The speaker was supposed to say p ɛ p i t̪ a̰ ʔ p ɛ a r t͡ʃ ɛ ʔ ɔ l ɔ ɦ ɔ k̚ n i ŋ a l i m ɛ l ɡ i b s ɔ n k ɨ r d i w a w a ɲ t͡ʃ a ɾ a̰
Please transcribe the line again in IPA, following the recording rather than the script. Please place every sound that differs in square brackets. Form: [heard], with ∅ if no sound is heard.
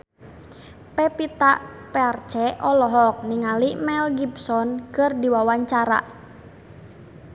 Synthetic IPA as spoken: p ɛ p i t̪ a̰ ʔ p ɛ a r t͡ʃ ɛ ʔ ɔ l ɔ ɦ ɔ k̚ n i ŋ a l i m ɛ l ɡ i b s ɔ n k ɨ r d i w a w a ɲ t͡ʃ a ɾ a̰

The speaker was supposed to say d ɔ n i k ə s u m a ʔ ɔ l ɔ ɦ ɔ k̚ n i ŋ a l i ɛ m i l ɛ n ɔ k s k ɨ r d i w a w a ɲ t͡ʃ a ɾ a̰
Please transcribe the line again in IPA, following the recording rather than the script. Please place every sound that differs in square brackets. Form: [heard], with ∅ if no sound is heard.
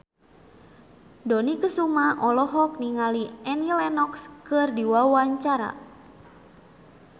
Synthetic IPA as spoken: d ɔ n i k ə s u m a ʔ ɔ l ɔ ɦ ɔ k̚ n i ŋ a l i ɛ [n] i l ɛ n ɔ k s k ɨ r d i w a w a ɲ t͡ʃ a ɾ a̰

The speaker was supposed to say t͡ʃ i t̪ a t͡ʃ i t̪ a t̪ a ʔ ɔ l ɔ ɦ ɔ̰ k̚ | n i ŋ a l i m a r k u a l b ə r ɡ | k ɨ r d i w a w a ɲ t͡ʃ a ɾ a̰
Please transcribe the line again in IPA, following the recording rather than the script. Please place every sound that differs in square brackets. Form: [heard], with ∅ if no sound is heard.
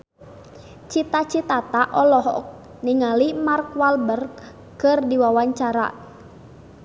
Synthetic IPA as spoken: t͡ʃ i t̪ a t͡ʃ i t̪ a t̪ a ʔ ɔ l ɔ ɦ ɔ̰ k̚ | n i ŋ a l i m a r k [w] a l b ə r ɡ | k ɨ r d i w a w a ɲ t͡ʃ a ɾ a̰

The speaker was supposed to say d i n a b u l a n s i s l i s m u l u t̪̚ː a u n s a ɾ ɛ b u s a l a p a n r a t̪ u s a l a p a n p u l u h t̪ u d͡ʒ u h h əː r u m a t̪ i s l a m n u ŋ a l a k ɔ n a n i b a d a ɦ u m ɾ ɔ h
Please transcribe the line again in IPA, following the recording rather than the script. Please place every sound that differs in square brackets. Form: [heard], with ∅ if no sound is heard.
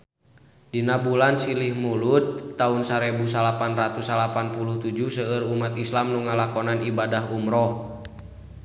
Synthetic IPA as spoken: d i n a b u l a n s i [∅] l i [h] m u l u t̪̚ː a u n s a ɾ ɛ b u s a l a p a n r a t̪ u s a l a p a n p u l u h t̪ u d͡ʒ u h [s] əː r u m a t̪ i s l a m n u ŋ a l a k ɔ n a n i b a d a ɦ u m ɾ ɔ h

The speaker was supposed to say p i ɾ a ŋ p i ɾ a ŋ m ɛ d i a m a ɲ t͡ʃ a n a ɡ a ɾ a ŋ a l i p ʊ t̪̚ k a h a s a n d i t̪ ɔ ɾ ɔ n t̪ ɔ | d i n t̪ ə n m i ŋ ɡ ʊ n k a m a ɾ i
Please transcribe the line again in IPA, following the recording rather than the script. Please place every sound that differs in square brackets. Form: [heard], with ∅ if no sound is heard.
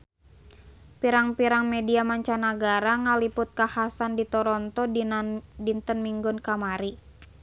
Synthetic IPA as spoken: p i ɾ a ŋ p i ɾ a ŋ m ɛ d i a m a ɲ t͡ʃ a n a ɡ a ɾ a ŋ a l i p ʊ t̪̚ k a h a s a n d i t̪ ɔ ɾ ɔ n t̪ ɔ | d i n t̪ ə n m i ŋ ɡ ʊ n k a m a ɾ i

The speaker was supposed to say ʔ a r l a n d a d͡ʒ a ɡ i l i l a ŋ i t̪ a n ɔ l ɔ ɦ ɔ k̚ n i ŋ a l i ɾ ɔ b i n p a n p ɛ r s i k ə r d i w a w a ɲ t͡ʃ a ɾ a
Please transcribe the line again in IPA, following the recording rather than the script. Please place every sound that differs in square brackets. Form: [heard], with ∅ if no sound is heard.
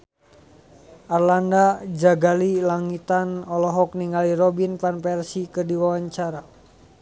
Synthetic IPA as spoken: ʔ a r l a n d a d͡ʒ a ɡ [a] l i l a ŋ i t̪ a n ɔ l ɔ ɦ ɔ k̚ n i ŋ a l i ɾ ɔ b i n p a n p ɛ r s i k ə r d i w a w a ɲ t͡ʃ a ɾ a

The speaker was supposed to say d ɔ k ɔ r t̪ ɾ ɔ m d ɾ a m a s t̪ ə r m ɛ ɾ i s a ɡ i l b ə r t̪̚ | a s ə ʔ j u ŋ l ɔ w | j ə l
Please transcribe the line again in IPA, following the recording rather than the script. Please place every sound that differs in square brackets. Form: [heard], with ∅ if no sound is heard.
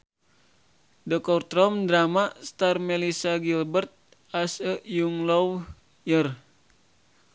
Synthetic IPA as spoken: d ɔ k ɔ r t̪ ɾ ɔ m d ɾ a m a s t̪ [a] r m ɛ [l] i s a ɡ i l b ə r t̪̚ | a s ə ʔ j u ŋ l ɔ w | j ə [r]

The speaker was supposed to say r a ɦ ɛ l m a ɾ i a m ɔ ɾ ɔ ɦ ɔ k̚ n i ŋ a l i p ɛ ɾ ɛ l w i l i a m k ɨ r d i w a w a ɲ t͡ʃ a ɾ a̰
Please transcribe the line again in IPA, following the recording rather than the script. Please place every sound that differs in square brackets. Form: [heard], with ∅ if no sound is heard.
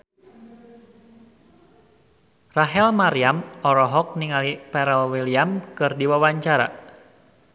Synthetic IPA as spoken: r a ɦ ɛ l m a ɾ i a m ɔ ɾ ɔ ɦ ɔ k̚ n i ŋ a l i p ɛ ɾ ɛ l w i l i a m k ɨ r d i w a w a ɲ t͡ʃ a ɾ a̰

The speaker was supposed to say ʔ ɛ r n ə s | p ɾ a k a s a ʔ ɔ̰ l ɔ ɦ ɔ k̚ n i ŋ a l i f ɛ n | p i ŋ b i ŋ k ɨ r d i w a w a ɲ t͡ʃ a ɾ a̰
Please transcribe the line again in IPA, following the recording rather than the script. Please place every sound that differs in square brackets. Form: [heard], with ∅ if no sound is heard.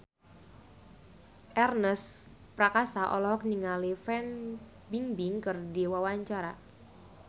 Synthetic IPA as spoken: ʔ ɛ r n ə s | p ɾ a k a s a ʔ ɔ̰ l ɔ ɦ ɔ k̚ n i ŋ a l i f ɛ n | [b] i ŋ b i ŋ k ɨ r d i w a w a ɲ t͡ʃ a ɾ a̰

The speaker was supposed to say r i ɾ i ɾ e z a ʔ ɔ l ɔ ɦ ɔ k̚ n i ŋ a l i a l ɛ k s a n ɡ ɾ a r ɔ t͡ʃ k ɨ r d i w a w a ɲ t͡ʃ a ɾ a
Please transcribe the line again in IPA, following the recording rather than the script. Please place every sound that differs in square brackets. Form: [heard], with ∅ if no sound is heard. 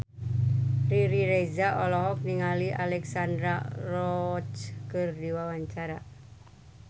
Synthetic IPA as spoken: r i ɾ i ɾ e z a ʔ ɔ l ɔ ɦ ɔ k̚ n i ŋ a l i a l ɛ k s a n [d] ɾ a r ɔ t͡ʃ k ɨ r d i w a w a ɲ t͡ʃ a ɾ a

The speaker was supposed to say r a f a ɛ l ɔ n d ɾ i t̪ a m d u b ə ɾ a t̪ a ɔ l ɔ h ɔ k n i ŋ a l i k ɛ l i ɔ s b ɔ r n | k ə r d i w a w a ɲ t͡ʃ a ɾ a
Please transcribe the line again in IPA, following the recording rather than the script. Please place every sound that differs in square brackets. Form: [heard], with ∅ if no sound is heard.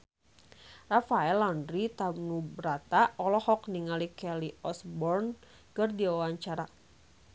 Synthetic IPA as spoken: r a f a ɛ l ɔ n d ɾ i t̪ a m [n] u b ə ɾ a t̪ a ɔ l ɔ h ɔ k n i ŋ a l i k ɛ l i ɔ s b ɔ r n | k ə r d i w a w a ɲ t͡ʃ a ɾ a

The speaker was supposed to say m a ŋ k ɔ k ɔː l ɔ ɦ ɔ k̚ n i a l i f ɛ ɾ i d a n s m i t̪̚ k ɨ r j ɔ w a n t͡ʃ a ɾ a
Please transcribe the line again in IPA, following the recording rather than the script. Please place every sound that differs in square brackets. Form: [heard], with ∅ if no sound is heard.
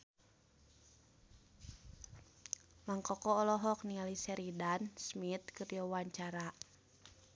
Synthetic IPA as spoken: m a ŋ k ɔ k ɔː l ɔ ɦ ɔ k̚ n i a l i [s] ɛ ɾ i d a n s m i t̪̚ k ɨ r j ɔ w a [ɲ] t͡ʃ a ɾ a

